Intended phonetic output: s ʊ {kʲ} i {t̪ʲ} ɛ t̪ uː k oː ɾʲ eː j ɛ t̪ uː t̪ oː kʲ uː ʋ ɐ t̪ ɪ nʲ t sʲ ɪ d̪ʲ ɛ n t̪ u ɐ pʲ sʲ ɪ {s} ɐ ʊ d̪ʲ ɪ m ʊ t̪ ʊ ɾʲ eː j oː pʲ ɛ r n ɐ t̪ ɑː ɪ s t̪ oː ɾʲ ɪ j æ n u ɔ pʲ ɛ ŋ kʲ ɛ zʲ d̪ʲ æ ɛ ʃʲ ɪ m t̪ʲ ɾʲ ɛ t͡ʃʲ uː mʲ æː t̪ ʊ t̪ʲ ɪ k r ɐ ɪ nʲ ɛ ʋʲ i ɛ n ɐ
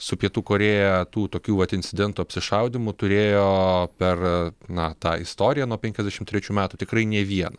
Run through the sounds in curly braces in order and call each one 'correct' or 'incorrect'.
incorrect: pʲ, incorrect: none, incorrect: ʃ

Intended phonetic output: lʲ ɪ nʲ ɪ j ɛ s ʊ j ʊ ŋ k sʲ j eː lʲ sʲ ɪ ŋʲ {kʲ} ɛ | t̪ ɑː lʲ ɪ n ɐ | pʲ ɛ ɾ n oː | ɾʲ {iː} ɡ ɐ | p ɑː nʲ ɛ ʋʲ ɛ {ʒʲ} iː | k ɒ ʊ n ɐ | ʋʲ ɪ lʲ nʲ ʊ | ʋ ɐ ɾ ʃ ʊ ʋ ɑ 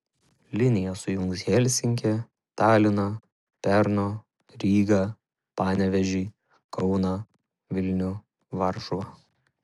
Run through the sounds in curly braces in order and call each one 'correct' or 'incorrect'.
correct, correct, correct

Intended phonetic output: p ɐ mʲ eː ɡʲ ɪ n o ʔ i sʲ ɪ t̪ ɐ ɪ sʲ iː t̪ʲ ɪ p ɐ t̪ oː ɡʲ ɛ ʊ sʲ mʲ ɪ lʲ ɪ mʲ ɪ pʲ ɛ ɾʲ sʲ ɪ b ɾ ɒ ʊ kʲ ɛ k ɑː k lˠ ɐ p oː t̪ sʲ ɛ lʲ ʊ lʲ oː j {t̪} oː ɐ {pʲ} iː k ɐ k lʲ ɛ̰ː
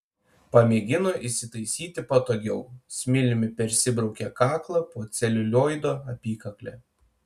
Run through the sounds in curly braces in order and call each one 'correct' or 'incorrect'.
incorrect: d̪, correct

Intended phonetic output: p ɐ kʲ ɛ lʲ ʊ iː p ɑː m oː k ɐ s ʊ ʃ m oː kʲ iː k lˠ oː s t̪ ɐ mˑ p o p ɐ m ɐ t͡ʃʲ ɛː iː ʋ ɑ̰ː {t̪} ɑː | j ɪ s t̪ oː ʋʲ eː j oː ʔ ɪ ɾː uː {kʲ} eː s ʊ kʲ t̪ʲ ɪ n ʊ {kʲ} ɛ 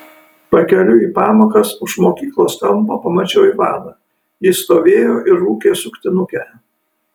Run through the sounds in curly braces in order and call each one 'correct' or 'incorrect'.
incorrect: d̪, correct, correct

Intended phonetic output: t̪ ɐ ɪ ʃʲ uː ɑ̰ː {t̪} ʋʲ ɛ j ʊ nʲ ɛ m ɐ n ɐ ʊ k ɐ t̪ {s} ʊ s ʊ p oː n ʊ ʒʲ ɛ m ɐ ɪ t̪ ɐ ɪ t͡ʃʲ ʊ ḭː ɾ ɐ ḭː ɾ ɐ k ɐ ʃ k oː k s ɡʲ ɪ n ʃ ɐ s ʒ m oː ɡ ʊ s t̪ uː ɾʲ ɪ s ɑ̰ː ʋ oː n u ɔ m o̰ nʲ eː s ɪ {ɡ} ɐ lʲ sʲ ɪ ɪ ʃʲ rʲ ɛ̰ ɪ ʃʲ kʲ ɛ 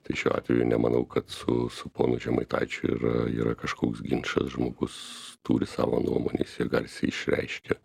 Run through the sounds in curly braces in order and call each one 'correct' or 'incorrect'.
correct, correct, correct

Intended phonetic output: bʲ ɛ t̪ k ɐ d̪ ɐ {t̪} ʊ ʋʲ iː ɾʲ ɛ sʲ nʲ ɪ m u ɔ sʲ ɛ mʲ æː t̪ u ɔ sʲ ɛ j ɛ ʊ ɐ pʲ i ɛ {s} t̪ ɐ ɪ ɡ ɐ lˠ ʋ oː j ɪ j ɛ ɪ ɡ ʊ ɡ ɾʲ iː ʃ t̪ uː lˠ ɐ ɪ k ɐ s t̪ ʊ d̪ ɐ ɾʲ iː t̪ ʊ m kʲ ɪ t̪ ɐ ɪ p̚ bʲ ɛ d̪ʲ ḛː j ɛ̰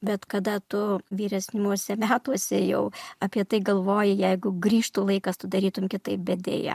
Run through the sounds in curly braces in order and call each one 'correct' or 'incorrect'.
correct, incorrect: none

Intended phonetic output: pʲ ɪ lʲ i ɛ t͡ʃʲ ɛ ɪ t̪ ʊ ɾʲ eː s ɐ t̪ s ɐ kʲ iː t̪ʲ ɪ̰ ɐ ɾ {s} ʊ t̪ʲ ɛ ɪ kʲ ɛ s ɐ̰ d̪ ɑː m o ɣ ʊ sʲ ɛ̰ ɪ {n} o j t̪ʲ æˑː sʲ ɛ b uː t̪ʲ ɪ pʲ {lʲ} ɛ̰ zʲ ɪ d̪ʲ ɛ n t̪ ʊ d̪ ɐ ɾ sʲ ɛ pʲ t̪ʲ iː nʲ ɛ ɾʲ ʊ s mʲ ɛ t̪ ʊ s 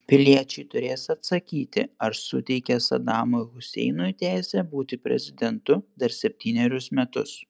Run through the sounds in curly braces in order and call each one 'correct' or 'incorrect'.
correct, correct, incorrect: ɾʲ

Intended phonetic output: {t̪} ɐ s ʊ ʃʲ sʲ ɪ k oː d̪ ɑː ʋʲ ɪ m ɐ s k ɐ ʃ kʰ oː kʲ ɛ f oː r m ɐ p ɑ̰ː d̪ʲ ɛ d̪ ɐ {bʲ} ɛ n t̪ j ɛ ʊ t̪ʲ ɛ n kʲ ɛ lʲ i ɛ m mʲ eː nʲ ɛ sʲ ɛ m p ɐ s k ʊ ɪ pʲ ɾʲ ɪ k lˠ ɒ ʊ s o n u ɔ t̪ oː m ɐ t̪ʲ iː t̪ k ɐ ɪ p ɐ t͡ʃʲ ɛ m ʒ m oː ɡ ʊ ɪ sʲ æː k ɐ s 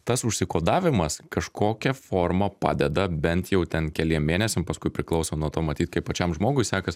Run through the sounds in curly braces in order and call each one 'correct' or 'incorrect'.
correct, correct

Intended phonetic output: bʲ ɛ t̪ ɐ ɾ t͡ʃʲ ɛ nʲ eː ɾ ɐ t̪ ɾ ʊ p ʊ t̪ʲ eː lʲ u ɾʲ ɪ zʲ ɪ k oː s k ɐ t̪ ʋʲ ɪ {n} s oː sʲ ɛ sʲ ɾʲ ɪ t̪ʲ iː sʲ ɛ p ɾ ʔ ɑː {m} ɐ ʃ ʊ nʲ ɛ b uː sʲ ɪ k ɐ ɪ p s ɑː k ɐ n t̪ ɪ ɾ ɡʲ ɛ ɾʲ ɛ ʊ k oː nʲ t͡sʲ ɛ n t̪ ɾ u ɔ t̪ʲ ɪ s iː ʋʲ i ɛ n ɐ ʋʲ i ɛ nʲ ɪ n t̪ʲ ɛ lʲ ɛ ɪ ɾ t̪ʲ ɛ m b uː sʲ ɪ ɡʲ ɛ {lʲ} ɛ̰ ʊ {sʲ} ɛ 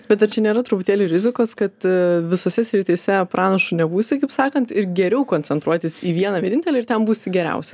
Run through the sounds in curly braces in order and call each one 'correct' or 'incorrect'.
incorrect: none, incorrect: n, incorrect: ɾʲ, correct

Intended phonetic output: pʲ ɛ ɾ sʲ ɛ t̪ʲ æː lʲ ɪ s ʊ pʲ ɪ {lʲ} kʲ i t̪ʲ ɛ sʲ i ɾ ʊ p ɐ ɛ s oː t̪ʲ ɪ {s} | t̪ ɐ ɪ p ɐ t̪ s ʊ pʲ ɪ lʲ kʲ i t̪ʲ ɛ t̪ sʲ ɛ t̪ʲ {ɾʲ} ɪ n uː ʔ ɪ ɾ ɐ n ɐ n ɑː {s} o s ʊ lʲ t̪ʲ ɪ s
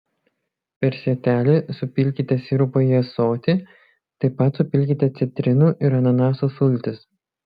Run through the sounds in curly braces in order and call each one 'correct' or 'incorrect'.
correct, incorrect: none, correct, correct

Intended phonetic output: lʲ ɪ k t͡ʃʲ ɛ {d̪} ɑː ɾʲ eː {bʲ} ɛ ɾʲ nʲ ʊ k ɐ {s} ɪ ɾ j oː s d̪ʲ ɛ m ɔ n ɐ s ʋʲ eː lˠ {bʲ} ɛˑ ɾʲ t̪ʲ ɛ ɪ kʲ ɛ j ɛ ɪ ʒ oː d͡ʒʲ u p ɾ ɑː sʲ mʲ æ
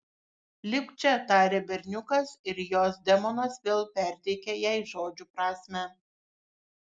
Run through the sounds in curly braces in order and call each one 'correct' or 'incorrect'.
incorrect: t̪, correct, correct, incorrect: pʲ

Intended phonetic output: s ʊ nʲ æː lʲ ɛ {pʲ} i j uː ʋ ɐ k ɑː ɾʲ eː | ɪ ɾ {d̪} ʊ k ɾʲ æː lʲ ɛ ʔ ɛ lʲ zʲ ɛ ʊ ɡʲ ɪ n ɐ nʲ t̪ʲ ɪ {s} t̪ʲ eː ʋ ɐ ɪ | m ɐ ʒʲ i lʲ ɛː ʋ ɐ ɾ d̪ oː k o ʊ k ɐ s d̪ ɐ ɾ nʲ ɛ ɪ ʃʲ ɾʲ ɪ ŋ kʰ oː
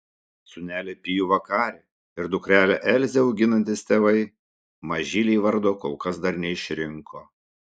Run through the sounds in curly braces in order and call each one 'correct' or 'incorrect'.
correct, correct, correct

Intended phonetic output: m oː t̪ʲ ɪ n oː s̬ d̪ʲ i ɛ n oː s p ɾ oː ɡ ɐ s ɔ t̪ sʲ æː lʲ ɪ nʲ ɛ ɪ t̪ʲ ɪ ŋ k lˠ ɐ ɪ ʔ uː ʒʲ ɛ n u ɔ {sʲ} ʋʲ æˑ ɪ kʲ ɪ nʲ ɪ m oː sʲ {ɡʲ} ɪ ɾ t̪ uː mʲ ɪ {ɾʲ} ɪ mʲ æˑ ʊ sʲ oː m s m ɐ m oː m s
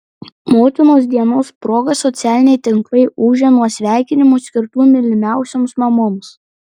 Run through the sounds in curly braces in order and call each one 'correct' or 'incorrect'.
correct, incorrect: kʲ, incorrect: lʲ

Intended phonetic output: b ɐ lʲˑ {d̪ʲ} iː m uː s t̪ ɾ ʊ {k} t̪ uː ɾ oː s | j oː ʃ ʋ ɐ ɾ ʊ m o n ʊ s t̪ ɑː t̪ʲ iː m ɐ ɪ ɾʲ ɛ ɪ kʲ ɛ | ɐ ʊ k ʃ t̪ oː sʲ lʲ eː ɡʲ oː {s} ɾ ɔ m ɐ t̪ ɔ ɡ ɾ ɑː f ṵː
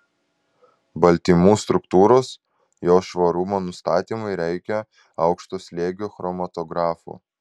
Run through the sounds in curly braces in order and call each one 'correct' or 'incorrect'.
incorrect: t̪ʲ, correct, incorrect: x

